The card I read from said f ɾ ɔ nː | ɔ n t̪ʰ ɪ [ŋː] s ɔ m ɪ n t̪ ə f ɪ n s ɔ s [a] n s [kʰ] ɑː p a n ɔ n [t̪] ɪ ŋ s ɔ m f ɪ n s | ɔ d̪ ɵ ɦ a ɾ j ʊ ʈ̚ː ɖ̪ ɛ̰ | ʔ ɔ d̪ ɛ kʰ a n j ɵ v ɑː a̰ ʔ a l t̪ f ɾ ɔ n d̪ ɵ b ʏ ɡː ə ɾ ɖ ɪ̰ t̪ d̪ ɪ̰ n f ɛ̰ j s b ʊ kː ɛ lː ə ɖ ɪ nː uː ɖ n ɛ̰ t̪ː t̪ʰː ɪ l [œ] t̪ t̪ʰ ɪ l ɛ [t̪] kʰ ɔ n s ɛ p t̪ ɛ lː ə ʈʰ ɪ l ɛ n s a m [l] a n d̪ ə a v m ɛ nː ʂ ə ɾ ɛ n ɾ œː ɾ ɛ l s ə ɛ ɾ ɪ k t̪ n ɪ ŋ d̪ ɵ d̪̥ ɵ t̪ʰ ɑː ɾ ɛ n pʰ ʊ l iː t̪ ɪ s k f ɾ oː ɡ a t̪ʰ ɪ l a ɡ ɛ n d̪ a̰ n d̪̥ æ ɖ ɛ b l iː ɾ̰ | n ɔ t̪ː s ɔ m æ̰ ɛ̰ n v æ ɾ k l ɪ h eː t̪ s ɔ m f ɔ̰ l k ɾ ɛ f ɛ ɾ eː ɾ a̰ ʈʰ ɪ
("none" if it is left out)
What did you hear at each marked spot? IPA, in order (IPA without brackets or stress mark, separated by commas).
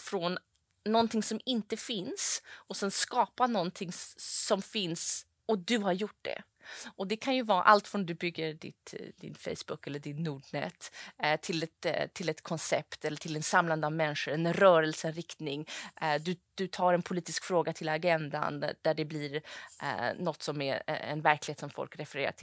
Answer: ŋ, ɛ, k, t̪ʰ, ɛ, t̪, l